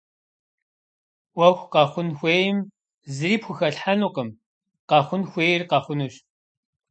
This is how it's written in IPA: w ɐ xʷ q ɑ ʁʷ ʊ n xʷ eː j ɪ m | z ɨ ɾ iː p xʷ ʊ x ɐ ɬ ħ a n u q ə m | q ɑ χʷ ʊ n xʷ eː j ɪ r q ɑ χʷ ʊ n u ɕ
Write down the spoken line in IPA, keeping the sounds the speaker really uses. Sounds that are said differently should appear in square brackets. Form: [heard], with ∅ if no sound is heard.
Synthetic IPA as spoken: w ɐ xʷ q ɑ [χʷ] ʊ n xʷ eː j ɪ m | z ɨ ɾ iː p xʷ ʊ x ɐ ɬ ħ a n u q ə m | q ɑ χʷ ʊ n xʷ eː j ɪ r q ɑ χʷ ʊ n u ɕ